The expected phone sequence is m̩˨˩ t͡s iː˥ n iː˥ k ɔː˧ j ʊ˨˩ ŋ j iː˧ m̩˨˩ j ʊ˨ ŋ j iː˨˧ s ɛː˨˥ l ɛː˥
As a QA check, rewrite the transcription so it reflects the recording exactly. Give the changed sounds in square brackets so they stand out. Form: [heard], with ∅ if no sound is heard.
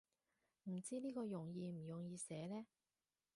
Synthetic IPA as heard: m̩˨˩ t͡s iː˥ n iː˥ k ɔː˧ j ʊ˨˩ ŋ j iː˧ m̩˨˩ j ʊ˨ ŋ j iː˨˧ s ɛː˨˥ l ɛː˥